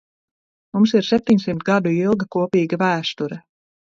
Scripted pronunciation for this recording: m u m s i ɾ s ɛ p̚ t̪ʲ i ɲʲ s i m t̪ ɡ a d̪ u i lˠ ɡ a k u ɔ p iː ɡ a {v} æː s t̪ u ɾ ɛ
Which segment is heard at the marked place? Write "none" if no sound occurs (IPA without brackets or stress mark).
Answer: v